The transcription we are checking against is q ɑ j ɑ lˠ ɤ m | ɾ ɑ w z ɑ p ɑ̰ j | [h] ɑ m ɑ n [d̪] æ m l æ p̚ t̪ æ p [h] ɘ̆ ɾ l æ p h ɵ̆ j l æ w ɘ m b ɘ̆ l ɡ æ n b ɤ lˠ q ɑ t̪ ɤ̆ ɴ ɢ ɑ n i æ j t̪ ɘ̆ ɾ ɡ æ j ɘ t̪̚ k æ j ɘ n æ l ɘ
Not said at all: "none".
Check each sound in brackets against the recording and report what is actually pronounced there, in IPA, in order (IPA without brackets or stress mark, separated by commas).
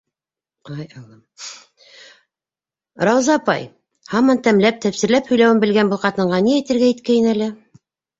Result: h, t̪, s